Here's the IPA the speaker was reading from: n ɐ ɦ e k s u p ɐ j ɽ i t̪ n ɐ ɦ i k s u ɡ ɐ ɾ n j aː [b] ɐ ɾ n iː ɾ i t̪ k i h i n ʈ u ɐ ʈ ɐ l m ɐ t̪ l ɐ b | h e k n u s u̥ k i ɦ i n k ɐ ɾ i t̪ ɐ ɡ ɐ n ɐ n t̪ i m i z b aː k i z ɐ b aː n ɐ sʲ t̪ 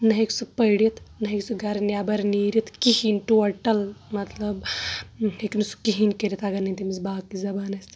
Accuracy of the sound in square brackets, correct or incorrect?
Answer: correct